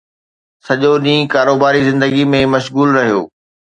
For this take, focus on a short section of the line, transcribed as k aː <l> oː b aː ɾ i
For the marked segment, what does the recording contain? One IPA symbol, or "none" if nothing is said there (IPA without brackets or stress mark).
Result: ɾ